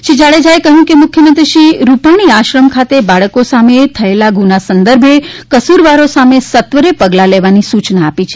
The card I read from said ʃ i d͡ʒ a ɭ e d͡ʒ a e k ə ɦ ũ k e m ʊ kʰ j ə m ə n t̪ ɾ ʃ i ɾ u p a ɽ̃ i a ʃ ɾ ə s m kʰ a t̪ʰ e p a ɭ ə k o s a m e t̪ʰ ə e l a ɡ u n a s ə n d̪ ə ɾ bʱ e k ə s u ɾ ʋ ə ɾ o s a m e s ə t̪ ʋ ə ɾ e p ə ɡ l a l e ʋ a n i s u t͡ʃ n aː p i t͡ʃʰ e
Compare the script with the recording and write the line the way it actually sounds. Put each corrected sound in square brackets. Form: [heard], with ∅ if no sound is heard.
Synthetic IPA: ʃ i d͡ʒ a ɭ e d͡ʒ a e k ə ɦ ũ k e m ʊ kʰ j ə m ə n t̪ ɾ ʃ i ɾ u p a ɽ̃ i a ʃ ɾ ə [∅] m kʰ a [t̪] e [b] a ɭ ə k o s a m e t̪ʰ ə e l a ɡ u n a s ə n d̪ ə ɾ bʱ e k ə s u ɾ ʋ [a] ɾ o s a m e s ə t̪ ʋ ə ɾ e p ə ɡ l a l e ʋ a n i s u t͡ʃ n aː p i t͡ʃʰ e